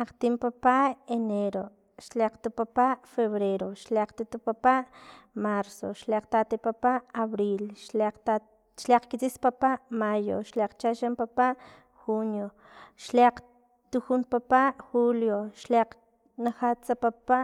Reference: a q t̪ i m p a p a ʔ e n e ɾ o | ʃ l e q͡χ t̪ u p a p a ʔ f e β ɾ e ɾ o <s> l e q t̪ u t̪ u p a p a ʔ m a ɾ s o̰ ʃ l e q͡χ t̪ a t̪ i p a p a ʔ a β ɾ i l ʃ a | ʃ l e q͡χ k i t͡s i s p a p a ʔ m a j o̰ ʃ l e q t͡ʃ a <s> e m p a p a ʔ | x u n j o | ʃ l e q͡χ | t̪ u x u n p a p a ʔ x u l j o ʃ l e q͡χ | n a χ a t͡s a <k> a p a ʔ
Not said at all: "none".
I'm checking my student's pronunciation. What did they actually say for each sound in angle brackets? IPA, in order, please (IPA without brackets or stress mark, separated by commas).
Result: ʃ, ʃ, p